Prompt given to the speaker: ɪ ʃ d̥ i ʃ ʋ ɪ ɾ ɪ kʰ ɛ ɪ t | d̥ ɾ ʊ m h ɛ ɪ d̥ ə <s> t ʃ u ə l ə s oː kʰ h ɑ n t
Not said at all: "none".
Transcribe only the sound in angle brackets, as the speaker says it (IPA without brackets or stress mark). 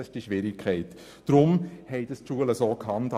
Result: s